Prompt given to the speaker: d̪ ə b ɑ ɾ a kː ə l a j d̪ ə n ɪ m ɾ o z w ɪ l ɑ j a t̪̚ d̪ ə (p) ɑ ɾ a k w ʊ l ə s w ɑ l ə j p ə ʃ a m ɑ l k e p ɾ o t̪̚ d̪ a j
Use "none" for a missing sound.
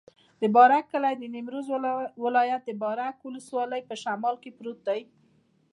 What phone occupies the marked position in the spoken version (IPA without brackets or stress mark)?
b